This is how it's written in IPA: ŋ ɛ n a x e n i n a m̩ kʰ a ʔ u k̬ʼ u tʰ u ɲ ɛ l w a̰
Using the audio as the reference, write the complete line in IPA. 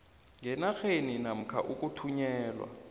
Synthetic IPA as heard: ŋ ɛ n a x e n i n a m̩ kʰ a ʔ u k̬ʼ u tʰ u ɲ ɛː l w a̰